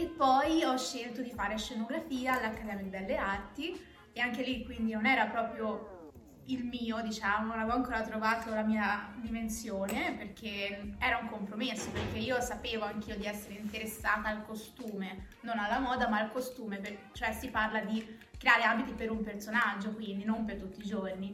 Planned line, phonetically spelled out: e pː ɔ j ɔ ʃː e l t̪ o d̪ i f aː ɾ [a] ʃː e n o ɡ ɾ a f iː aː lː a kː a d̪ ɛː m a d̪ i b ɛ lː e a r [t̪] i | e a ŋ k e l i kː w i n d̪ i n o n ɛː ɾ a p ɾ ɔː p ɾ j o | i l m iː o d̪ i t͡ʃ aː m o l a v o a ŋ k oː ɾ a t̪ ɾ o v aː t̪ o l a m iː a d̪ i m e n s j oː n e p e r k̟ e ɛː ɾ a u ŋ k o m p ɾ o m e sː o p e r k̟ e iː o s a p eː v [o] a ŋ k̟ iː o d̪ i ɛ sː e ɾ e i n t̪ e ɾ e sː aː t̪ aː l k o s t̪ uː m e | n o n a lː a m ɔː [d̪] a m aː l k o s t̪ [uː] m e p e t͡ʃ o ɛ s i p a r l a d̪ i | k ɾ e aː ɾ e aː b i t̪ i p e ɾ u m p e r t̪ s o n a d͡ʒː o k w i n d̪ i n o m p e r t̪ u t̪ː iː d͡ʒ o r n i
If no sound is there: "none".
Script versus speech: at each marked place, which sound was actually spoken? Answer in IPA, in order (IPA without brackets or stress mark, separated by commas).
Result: e, t̪, o, d̪, uː